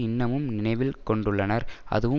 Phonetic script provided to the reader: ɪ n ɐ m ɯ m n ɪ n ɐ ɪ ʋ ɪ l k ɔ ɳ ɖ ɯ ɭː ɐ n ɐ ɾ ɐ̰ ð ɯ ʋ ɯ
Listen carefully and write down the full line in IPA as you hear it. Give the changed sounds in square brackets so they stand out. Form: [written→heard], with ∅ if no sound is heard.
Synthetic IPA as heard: ɪ [n→nː] ɐ m ɯ m n ɪ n ɐ ɪ ʋ ɪ l k ɔ ɳ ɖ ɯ ɭː ɐ n ɐ ɾ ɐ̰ ð ɯ ʋ ɯ